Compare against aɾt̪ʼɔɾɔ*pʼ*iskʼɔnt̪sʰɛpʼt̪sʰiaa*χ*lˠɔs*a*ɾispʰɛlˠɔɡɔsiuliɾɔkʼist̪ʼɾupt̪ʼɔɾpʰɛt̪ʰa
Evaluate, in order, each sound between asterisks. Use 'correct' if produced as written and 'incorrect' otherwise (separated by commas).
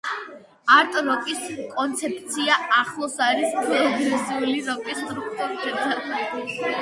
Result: incorrect, correct, correct